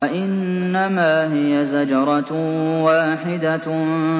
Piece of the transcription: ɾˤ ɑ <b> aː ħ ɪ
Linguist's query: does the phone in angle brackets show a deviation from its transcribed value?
yes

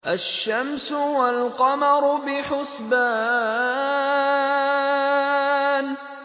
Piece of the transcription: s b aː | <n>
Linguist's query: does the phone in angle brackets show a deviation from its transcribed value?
no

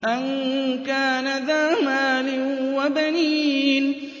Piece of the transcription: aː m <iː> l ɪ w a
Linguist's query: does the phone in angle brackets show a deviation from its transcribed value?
yes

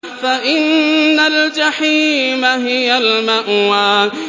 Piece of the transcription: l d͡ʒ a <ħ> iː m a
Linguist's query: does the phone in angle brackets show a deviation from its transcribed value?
no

